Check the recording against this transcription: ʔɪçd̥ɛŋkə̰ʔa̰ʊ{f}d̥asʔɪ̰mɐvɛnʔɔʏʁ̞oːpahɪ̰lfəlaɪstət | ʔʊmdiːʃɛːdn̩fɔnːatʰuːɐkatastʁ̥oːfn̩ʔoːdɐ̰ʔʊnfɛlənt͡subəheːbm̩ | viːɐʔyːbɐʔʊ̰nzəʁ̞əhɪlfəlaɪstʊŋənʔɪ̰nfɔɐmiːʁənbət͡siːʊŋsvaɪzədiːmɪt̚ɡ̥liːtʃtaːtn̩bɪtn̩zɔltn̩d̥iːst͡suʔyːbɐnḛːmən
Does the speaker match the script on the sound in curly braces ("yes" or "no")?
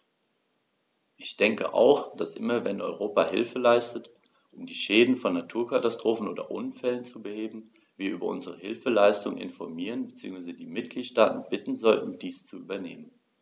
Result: no